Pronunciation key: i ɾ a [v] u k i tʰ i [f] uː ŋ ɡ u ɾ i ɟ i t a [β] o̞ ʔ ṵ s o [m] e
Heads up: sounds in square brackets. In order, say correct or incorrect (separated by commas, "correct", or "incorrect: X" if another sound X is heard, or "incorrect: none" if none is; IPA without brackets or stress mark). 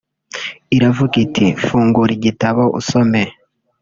correct, correct, correct, correct